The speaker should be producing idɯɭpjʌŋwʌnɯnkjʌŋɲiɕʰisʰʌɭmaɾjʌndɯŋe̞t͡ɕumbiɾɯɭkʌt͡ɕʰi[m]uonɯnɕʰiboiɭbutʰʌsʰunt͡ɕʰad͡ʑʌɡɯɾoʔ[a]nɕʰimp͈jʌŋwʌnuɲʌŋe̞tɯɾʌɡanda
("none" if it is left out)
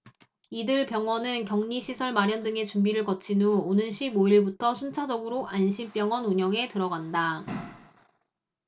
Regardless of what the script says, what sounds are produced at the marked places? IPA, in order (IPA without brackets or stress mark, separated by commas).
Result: n, a